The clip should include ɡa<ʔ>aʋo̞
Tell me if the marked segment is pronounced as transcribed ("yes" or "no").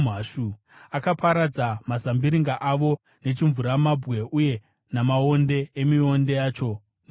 yes